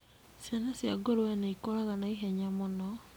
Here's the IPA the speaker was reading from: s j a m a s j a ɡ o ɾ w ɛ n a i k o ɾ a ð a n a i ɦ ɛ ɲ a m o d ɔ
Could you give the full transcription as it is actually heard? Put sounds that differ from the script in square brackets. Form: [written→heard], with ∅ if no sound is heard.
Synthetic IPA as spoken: s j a [m→n] a s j a ɡ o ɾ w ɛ n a i k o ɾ a [ð→ɣ] a n a i ɦ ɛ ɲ a m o [d→n] ɔ